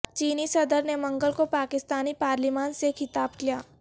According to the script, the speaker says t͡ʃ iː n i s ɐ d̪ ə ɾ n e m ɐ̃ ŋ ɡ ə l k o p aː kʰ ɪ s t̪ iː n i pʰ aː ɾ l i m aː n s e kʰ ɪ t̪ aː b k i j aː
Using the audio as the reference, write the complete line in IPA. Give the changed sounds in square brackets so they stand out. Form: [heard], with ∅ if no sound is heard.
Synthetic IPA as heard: t͡ʃ iː n i s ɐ d̪ ə ɾ n e m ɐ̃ ŋ ɡ ə l k o p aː [k] ɪ s t̪ [aː] n i [p] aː ɾ l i m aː n s e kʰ ɪ t̪ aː b k i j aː